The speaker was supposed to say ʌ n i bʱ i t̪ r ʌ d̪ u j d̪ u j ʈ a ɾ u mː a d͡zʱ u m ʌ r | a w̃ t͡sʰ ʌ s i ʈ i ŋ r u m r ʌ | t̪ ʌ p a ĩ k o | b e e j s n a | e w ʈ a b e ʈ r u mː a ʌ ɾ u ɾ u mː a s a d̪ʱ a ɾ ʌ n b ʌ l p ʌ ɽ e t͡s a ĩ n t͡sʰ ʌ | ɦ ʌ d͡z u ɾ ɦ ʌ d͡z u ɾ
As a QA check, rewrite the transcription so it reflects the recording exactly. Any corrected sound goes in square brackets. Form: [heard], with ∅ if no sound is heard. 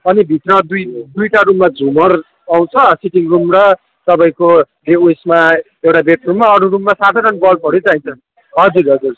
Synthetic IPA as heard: ʌ n i bʱ i t̪ r ʌ d̪ u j d̪ u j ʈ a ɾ u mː a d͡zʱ u m ʌ r | a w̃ t͡sʰ ʌ s i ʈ i ŋ r u m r ʌ | t̪ ʌ p a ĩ k o | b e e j s [m] a | e w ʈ a b e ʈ r u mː a ʌ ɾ u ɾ u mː a s a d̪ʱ a ɾ ʌ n b ʌ l p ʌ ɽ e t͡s a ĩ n t͡sʰ ʌ | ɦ ʌ d͡z u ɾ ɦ ʌ d͡z u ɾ